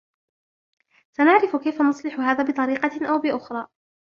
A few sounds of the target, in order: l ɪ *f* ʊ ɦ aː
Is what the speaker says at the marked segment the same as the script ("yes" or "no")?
no